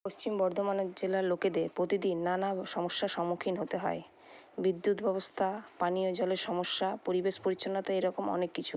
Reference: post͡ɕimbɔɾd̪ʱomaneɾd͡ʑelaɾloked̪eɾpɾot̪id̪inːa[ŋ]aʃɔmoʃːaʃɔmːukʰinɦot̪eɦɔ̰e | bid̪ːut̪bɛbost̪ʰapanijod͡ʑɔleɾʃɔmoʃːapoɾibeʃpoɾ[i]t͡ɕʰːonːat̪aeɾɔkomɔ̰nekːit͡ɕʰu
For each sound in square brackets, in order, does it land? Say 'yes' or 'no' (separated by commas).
no, yes